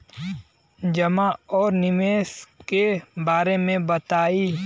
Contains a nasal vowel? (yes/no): yes